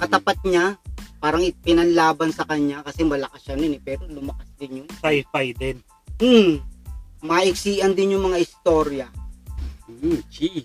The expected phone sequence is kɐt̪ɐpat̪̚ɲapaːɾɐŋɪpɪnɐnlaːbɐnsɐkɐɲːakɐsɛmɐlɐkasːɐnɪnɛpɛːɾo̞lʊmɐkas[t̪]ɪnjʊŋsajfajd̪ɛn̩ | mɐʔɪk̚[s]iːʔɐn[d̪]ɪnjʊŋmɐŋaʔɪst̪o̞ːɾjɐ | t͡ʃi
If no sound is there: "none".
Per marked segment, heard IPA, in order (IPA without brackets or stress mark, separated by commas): d̪, s, d̪